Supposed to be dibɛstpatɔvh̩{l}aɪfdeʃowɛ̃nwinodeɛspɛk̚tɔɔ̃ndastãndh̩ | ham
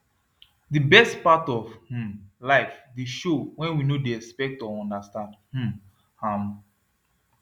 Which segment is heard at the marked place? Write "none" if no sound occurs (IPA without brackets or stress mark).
l